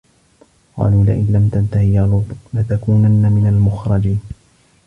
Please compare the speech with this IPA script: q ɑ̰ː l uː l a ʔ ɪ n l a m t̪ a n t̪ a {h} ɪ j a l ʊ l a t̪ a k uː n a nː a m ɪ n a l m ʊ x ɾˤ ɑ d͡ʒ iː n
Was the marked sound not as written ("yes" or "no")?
no